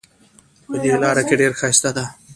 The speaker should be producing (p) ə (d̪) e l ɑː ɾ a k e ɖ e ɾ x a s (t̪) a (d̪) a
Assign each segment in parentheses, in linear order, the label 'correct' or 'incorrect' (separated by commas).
correct, correct, correct, correct